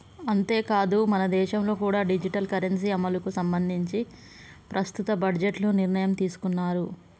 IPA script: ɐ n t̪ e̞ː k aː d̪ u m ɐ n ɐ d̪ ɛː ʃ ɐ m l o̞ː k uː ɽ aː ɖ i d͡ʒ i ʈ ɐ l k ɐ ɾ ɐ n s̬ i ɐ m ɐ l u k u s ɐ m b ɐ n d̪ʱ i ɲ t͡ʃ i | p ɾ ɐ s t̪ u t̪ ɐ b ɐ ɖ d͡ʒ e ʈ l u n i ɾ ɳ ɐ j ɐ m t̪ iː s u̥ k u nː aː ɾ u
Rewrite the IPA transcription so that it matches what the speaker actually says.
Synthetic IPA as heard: ɐ n t̪ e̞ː k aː d̪ u m ɐ n ɐ d̪ ɛː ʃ ɐ m l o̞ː k uː ɽ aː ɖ i d͡ʒ i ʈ ɐ l k ɐ ɾ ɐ n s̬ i ɐ m ɐ l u k u s ɐ m b ɐ n d̪ʱ i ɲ t͡ʃ i | p ɾ ɐ s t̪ u t̪ ɐ b ɐ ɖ d͡ʒ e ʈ l u n i ɾ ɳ ɐ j ɐ m t̪ iː s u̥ k u nː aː ɾ u